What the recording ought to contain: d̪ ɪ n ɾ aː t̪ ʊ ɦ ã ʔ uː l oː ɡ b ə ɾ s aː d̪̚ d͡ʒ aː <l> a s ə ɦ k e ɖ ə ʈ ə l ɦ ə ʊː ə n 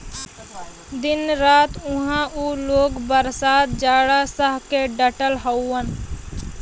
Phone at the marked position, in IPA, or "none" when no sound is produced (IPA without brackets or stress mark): ɽ